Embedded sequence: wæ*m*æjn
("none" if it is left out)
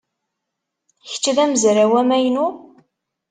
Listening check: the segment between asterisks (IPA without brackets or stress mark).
m